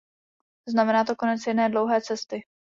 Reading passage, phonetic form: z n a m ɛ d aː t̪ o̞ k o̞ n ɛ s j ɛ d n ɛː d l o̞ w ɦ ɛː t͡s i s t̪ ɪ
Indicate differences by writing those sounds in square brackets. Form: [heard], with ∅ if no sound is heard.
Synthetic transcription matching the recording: z n a m ɛ [n] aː t̪ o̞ k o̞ n ɛ [t͡s] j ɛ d n ɛː d l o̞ w ɦ ɛː t͡s [ɛ] s t̪ ɪ